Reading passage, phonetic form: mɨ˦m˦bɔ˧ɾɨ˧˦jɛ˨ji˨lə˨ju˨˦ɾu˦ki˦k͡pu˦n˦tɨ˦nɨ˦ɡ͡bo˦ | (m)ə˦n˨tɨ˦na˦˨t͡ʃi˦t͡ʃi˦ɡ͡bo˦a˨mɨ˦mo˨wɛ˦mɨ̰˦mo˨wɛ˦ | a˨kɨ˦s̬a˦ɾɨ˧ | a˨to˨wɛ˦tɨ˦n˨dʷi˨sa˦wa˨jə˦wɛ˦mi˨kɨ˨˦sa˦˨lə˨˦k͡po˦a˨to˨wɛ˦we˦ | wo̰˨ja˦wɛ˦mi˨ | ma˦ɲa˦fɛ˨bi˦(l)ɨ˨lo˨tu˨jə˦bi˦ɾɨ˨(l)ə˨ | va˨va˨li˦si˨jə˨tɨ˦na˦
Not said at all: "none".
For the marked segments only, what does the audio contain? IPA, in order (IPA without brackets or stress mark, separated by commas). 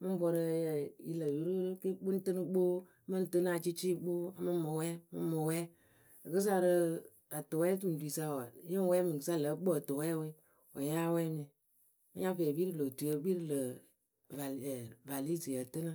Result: m, ɾ, l